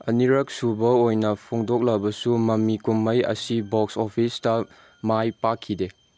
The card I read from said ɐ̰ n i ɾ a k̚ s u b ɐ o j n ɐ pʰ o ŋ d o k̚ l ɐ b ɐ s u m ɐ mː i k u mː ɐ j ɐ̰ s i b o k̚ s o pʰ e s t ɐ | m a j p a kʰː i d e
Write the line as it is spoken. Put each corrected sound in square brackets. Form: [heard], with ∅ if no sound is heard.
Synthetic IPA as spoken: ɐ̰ n i ɾ [ɐ] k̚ s u b ɐ o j n ɐ pʰ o ŋ d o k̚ l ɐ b ɐ s u m ɐ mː i k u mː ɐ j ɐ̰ s i b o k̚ s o pʰ [i] s t ɐ | m a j p a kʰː i d e